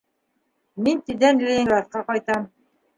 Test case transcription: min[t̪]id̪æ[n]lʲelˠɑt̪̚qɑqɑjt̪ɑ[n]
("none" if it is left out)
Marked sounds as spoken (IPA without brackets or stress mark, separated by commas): t̪, n, m